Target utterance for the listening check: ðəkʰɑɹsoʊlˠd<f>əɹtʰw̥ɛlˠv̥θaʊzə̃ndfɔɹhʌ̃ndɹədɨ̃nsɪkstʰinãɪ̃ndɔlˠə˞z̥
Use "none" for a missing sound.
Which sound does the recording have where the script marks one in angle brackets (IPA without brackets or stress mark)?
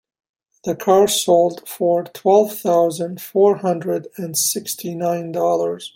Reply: f